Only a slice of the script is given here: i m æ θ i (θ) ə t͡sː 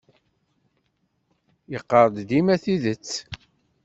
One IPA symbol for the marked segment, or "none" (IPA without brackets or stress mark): ð